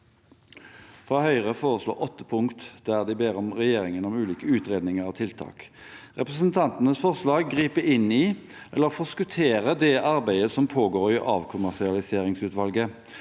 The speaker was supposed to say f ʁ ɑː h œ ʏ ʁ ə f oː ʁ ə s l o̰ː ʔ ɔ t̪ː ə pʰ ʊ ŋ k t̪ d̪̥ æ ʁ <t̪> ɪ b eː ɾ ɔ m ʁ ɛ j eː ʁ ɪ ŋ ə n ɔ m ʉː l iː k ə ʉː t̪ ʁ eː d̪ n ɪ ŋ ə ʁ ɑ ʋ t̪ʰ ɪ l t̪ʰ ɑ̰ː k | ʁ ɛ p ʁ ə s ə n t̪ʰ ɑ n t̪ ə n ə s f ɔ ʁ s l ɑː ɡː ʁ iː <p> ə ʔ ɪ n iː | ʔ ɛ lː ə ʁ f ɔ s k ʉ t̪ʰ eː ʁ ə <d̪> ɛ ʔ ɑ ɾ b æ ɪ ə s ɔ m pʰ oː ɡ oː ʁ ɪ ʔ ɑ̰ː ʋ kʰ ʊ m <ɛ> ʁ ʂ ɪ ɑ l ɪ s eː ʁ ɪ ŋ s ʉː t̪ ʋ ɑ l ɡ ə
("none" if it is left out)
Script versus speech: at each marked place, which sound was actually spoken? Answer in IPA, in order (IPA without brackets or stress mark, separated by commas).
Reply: d̪, p, d̪, æ